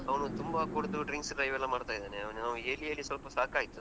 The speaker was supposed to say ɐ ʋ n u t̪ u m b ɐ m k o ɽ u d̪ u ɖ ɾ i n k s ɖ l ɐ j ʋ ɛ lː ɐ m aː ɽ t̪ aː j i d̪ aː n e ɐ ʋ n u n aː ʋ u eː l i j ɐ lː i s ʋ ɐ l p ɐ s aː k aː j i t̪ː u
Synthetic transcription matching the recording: ɐ ʋ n u t̪ u m b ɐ k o ɽ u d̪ u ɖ ɾ i ŋ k s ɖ ɾ ɐ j ʋ ɛ lː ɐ m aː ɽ t̪ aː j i d̪ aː n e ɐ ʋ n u n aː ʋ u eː l i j ɐ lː i s ʋ ɐ l p ɐ s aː k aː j i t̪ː u